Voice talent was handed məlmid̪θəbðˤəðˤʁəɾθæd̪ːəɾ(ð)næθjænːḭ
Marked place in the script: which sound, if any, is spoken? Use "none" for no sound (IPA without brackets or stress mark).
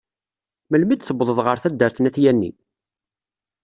θ